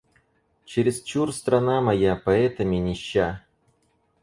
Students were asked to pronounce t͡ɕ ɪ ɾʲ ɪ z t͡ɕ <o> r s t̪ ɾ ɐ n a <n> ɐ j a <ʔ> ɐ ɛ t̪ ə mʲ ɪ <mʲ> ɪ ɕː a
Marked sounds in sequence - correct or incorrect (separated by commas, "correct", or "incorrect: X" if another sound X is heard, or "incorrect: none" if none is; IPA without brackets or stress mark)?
incorrect: u, incorrect: m, incorrect: p, incorrect: nʲ